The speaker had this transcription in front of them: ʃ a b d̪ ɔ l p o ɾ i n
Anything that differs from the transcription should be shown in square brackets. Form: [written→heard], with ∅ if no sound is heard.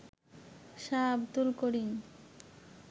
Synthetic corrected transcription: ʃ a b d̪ [ɔ→u] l [p→k] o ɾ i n